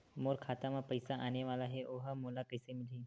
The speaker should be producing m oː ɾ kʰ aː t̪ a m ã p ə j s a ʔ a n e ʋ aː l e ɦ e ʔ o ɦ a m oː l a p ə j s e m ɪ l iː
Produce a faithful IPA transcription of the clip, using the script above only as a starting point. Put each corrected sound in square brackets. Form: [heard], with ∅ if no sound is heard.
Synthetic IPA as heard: m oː ɾ kʰ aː t̪ a m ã p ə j s a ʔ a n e ʋ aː l [a] ɦ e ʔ o ɦ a m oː l a [k] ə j s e m ɪ l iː